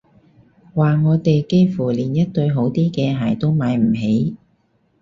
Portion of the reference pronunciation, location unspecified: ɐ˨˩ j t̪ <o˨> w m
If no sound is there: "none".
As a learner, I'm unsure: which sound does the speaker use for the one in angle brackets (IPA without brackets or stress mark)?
o˥